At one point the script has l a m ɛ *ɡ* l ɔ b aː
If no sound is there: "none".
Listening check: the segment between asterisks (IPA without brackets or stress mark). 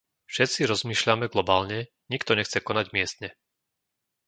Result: ɡ